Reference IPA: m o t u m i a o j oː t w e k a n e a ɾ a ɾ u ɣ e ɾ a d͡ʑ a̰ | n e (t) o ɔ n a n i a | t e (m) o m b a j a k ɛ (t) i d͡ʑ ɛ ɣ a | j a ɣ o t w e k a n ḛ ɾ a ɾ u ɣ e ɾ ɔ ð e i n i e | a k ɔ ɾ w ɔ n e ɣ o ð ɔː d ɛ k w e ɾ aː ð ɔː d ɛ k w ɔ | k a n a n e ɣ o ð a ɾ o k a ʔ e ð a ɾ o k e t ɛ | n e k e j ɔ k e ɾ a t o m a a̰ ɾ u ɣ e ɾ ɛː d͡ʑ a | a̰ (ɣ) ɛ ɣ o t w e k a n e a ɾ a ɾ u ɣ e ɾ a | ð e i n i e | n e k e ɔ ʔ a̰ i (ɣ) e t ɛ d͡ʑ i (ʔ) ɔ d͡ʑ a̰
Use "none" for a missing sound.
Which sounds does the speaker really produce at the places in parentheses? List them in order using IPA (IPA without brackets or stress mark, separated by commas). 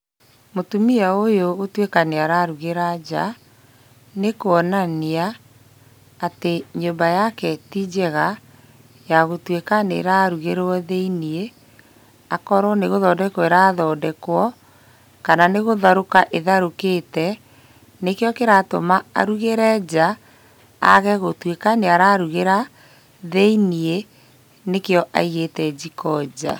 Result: k, ɲ, t, ɣ, ɣ, k